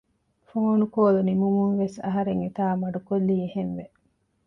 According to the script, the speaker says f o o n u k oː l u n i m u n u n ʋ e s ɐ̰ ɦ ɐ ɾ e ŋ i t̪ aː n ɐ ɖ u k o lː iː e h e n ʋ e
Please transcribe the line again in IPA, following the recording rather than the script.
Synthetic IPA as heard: f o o n u k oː l u n i m u m u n ʋ e s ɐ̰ ɦ ɐ ɾ e ŋ i t̪ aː m ɐ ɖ u k o lː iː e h e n ʋ e